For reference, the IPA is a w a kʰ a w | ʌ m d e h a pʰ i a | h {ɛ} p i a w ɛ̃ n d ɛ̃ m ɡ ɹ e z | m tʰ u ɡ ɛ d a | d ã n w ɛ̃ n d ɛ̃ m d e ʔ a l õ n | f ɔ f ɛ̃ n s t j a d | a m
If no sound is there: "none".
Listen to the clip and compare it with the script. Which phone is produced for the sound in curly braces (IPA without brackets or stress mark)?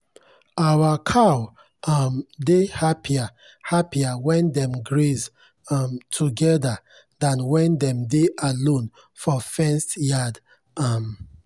a